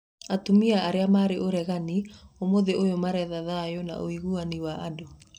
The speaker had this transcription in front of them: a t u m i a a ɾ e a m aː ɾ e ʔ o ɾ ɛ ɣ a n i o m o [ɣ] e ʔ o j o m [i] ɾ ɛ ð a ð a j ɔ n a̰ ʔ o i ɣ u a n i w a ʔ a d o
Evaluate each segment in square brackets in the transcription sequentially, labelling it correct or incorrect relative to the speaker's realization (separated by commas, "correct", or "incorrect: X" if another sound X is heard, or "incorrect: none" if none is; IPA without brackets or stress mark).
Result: incorrect: ð, incorrect: a